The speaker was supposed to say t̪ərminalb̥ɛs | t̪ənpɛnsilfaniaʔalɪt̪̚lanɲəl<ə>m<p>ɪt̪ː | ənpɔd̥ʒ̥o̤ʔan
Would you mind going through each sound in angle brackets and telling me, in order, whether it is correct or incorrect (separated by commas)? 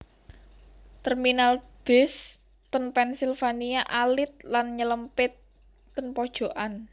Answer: correct, correct